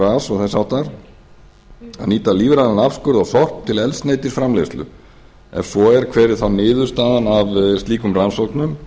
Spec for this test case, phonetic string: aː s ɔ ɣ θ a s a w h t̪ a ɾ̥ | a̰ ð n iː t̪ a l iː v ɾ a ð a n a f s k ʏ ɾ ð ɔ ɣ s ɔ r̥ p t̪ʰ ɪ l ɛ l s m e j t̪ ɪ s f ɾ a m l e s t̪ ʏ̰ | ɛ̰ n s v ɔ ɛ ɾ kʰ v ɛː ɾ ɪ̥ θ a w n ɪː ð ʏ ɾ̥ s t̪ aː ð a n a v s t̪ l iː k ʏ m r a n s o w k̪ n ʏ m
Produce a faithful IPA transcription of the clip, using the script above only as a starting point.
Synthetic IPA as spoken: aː s ɔ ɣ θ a s a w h t̪ a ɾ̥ | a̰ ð n iː t̪ a l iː v ɾ a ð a n a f s k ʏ ɾ ð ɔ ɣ θ ɔ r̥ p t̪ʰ ɪ l ɛ l s n e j t̪ ɪ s f ɾ a m l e s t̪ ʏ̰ | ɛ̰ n s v ɔ ɛ ɾ kʰ v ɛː ɾ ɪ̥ θ a w n ɪː ð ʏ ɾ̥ s t̪ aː ð a n a v s t̪ l iː k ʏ m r a n s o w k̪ n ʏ m